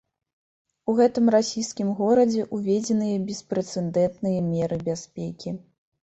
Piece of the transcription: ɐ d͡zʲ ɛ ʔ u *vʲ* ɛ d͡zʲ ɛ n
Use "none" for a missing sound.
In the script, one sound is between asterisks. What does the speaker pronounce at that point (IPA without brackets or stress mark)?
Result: vʲ